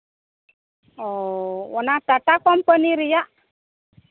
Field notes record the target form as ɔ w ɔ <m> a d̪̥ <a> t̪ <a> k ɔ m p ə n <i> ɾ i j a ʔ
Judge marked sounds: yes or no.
no, yes, yes, yes

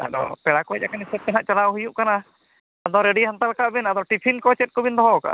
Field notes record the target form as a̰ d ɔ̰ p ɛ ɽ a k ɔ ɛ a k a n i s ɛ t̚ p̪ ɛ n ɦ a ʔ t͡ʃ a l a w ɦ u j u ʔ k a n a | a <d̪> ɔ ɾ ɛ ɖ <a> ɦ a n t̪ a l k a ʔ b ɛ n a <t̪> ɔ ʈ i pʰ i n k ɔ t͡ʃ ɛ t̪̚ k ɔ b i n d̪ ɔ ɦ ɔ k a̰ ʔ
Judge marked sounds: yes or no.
yes, no, no

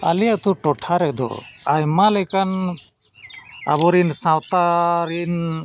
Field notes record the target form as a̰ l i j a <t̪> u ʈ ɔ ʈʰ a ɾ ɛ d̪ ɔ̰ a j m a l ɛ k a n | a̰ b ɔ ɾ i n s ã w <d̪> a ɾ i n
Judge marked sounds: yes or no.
yes, no

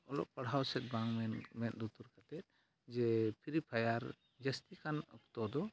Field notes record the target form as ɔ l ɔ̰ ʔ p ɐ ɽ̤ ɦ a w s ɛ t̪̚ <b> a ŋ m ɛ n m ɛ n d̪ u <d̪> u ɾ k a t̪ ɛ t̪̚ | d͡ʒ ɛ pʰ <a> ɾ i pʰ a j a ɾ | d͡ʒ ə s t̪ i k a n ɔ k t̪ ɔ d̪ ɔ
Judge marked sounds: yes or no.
yes, no, no

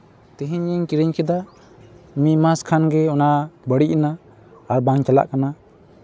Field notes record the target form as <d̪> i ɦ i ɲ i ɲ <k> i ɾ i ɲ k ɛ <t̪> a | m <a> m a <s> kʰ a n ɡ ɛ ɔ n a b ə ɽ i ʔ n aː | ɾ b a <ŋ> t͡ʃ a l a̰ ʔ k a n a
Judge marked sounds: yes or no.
no, yes, no, no, yes, yes

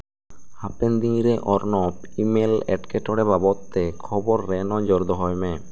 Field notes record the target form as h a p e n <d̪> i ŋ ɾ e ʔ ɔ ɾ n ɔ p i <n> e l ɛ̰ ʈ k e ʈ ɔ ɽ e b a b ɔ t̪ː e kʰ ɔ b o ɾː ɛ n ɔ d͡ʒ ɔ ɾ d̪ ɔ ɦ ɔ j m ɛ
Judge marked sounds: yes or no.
yes, no

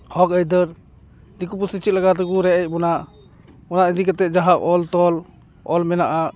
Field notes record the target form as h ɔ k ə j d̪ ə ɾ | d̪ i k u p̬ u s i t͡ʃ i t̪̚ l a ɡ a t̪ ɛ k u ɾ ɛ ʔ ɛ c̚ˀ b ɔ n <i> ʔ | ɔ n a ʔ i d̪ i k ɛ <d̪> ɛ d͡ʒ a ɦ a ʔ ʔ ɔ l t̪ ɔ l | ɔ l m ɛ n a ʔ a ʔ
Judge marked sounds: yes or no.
no, no

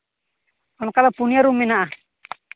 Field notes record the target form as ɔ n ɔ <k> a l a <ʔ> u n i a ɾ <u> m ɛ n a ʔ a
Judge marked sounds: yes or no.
yes, no, yes

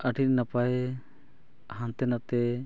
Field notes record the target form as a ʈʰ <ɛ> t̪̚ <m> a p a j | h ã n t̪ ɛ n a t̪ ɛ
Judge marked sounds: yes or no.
no, no

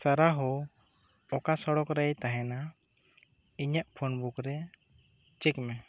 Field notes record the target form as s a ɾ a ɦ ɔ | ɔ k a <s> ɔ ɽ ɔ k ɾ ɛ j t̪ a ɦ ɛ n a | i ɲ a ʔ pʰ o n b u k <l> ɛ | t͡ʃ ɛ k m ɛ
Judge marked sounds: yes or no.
yes, no

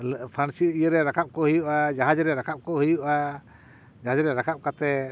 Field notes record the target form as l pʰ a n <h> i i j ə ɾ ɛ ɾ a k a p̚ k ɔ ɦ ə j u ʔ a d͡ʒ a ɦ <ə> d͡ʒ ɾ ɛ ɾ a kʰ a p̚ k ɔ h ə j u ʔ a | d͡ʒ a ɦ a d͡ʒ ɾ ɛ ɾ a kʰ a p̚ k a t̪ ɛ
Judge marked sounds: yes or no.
no, no

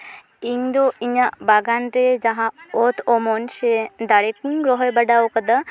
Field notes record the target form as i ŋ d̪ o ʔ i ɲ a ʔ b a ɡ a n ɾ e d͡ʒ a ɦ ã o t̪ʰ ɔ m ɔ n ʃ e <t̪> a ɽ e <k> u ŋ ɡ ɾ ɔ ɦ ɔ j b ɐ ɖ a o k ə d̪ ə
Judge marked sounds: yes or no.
no, yes

